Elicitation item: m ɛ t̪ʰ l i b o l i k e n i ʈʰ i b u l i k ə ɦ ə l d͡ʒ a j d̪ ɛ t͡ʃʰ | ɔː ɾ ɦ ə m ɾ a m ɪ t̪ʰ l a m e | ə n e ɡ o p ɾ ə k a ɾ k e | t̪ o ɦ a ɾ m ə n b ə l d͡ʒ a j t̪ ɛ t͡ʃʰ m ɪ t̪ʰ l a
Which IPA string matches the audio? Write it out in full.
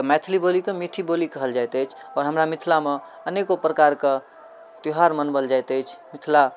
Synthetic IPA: m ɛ t̪ʰ l i b o l i k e m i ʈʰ i b o l i k ə ɦ ə l d͡ʒ a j t̪ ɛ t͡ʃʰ | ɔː ɾ ɦ ə m ɾ a m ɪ t̪ʰ l a m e | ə n e k o p ɾ ə k a ɾ k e | t̪ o ɦ a ɾ m ə n b ə l d͡ʒ a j t̪ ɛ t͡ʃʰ m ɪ t̪ʰ l a